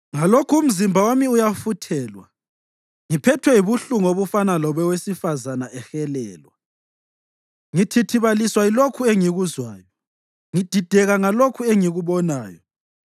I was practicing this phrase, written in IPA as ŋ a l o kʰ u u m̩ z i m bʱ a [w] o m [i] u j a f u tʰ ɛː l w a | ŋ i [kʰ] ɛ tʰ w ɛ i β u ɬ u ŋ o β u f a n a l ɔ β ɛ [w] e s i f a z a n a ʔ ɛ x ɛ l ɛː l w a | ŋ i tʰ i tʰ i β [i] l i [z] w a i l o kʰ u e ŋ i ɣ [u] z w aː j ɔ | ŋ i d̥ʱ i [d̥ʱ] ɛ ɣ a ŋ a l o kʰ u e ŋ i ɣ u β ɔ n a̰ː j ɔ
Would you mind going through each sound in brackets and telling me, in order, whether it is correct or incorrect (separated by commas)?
correct, correct, incorrect, correct, incorrect, incorrect, correct, correct